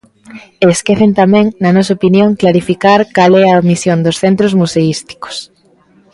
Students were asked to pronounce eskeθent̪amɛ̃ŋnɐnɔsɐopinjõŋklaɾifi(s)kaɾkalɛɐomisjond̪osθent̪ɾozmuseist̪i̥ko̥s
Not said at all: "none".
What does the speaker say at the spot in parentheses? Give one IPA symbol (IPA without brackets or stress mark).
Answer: none